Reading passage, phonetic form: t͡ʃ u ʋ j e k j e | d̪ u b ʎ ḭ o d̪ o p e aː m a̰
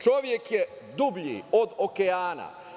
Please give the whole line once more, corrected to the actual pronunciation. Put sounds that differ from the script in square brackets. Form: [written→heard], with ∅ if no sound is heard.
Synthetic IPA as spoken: t͡ʃ [u→o] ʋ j e k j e | d̪ u b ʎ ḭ o d̪ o [p→k] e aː [m→n] a̰